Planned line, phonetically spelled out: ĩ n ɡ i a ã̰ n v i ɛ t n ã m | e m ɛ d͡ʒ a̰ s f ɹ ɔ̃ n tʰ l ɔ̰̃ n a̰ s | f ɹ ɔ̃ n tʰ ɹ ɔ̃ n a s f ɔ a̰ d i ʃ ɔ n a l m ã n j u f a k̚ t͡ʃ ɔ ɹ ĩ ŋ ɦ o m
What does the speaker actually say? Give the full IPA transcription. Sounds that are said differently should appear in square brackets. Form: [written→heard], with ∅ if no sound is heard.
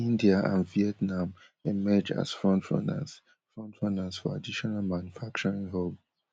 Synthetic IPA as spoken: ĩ n [ɡ→d] i a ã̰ n v i ɛ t n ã m | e m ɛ d͡ʒ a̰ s f ɹ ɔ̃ n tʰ [l→ɹ] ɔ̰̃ n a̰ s | f ɹ ɔ̃ n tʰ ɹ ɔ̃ n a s f ɔ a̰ d i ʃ ɔ n a l m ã n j u f a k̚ t͡ʃ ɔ ɹ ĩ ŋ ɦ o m